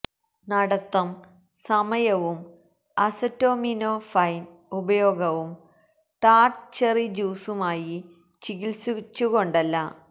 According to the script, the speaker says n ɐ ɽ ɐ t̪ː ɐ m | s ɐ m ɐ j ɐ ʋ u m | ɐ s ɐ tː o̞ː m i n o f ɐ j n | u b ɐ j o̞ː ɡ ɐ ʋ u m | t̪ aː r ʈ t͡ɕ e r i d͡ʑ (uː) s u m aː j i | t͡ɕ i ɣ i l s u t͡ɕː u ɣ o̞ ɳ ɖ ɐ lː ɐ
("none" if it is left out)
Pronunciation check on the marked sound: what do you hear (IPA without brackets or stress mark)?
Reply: uː